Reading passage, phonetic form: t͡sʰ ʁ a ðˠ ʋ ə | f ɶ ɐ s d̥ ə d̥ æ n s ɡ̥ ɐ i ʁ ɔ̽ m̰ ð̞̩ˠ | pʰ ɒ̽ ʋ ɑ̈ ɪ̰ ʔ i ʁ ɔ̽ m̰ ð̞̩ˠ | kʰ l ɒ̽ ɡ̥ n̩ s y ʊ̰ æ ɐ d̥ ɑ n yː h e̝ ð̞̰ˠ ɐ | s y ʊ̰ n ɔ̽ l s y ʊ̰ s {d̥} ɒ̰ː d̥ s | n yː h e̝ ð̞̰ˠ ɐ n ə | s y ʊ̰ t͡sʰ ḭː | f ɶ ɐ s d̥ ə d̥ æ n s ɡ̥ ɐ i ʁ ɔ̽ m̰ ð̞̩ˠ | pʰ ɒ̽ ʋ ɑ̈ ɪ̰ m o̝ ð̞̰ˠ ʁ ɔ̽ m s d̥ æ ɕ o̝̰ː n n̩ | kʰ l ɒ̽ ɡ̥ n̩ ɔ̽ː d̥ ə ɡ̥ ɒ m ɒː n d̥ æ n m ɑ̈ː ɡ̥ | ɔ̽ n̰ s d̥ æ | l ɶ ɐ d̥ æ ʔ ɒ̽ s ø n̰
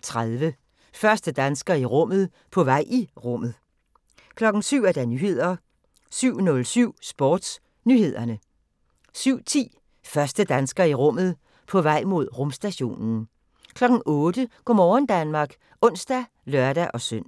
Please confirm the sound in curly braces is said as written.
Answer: no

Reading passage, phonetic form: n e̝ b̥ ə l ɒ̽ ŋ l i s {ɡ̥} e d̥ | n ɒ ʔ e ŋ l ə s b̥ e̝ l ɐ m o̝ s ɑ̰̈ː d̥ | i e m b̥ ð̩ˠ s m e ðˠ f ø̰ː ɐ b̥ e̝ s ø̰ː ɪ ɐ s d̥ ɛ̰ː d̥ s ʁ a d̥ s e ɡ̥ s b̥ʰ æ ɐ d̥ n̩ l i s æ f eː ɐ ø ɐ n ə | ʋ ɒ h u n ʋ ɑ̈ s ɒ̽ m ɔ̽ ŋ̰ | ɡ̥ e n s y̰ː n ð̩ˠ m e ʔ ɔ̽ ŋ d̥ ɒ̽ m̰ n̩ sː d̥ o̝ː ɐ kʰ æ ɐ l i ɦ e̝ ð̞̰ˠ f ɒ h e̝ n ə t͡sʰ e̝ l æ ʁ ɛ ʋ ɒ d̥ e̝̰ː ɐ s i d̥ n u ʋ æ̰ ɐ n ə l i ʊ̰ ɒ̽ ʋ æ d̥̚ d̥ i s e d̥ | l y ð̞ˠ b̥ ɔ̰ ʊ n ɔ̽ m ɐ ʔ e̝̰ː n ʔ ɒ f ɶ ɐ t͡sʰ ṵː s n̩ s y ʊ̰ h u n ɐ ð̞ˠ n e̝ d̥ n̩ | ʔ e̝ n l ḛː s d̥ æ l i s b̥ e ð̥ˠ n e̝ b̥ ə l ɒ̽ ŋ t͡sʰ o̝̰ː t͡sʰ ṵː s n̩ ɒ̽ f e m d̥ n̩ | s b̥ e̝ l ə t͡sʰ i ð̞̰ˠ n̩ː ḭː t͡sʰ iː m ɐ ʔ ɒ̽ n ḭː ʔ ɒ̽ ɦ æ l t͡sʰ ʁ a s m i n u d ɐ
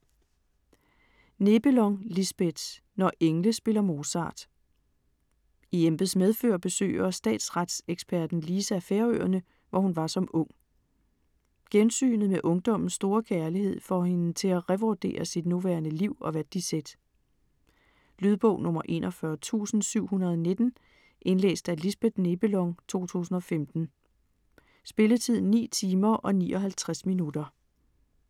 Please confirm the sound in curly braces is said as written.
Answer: no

